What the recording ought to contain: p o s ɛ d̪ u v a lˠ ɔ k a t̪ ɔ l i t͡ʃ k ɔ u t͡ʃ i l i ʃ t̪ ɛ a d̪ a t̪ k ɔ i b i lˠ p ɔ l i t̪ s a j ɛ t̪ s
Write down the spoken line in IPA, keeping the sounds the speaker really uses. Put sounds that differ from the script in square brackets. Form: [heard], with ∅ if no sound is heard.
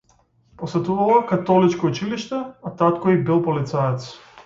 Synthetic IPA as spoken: p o s ɛ [t̪] u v a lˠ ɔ k a t̪ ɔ l i t͡ʃ k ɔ u t͡ʃ i l i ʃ t̪ ɛ a [t̪] a t̪ k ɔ i b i lˠ p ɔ l i t̪ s a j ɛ t̪ s